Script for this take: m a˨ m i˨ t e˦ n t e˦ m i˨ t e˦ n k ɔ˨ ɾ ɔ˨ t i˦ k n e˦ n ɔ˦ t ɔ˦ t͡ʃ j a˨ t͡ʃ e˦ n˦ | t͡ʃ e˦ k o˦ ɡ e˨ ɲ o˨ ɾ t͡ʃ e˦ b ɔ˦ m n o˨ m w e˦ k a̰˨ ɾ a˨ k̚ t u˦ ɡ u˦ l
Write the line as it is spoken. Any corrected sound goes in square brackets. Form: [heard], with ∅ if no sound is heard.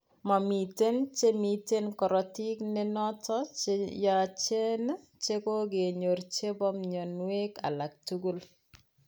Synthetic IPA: m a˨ m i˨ t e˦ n [t͡ʃ] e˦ m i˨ t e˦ n k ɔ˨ ɾ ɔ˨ t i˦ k n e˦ n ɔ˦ t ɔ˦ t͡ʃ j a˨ t͡ʃ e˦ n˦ | t͡ʃ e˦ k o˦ ɡ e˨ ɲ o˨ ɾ t͡ʃ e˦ b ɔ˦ m [ɲ] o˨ [n] w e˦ k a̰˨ [l] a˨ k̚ t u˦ ɡ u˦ l

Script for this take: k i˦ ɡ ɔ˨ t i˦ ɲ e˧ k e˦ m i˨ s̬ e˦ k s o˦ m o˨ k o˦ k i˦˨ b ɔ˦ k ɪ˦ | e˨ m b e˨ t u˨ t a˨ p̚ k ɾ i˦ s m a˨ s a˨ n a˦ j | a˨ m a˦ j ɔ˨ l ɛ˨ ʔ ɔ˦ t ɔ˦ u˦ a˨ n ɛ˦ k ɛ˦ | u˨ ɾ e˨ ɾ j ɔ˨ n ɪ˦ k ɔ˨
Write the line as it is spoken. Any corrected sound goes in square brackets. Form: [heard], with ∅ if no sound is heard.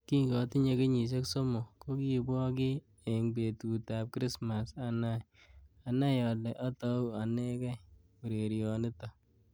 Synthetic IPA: k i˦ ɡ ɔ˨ t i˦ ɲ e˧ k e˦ [ɲ] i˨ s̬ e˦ k s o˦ m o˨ k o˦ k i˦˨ b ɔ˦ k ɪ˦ | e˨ [ŋ] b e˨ t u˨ t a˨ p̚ k ɾ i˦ s m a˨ s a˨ n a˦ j | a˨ [n] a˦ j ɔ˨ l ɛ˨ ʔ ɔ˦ t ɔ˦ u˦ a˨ n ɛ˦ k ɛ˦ | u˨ ɾ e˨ ɾ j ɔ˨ n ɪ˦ [t] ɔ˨

